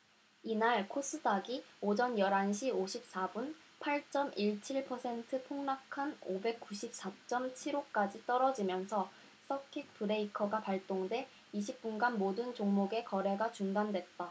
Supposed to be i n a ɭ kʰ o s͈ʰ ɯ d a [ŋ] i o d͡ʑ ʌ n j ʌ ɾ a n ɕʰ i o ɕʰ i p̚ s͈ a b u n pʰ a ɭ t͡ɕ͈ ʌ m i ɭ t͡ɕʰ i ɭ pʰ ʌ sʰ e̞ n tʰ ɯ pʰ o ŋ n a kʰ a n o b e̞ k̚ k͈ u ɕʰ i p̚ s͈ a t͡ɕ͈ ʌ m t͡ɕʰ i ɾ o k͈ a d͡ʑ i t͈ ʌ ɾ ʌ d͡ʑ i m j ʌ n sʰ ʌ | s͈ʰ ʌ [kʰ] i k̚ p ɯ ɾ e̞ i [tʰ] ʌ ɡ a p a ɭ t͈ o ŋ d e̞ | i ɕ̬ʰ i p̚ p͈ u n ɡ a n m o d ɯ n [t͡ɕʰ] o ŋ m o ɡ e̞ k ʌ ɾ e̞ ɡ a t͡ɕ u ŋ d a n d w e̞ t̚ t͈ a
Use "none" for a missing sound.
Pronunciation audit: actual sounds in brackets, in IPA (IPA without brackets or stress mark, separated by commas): ɡ, kʰ, kʰ, t͡ɕ